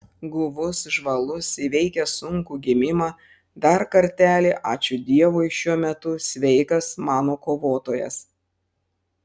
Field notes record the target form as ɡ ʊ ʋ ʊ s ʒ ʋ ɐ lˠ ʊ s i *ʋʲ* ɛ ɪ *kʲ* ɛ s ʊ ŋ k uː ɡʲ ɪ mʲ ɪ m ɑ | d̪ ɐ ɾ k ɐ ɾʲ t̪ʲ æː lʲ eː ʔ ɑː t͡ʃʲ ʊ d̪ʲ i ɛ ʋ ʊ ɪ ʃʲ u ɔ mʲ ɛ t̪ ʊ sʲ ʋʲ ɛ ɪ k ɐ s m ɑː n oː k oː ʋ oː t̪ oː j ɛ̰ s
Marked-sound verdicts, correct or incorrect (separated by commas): correct, correct